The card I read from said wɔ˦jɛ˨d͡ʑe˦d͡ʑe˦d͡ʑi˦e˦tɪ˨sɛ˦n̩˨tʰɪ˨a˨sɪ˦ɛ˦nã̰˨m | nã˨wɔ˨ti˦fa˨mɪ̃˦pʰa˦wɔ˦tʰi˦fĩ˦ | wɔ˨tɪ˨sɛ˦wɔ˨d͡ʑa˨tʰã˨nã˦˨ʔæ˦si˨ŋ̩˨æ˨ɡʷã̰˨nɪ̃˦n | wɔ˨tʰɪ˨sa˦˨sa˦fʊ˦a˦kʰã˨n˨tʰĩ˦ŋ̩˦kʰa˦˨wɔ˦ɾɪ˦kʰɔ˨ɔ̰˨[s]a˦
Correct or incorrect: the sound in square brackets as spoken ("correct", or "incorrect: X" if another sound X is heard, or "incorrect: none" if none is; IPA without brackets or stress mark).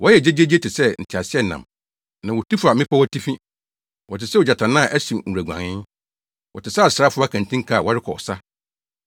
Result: correct